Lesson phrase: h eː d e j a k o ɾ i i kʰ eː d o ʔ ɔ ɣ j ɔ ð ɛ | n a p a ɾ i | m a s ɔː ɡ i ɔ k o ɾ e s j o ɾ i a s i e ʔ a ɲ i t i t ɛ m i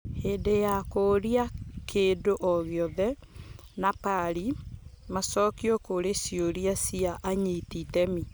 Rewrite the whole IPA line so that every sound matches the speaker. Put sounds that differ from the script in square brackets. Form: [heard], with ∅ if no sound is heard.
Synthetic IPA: h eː d e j a k o ɾ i [a] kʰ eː d o ʔ ɔ ɣ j ɔ ð ɛ | n a p a ɾ i | m a s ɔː [k] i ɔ k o ɾ e s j o ɾ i a s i [a] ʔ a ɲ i t i t ɛ m i